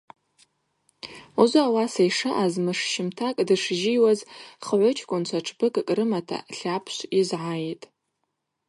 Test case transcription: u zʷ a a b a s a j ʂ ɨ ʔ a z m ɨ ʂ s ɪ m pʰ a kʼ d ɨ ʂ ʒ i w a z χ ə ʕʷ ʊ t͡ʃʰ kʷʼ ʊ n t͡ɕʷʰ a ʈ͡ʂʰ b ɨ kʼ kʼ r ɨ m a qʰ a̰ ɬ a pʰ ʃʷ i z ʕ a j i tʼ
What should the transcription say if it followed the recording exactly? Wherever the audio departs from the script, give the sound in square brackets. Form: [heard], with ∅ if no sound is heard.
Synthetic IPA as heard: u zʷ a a [w] a s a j ʂ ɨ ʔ a z m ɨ ʂ [ʃ] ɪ m [tʰ] a kʼ d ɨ ʂ ʒ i w a z χ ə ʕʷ ʊ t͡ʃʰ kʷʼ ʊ n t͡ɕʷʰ a ʈ͡ʂʰ b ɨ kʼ kʼ r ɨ m a [tʰ] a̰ ɬ a pʰ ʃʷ i z ʕ a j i tʼ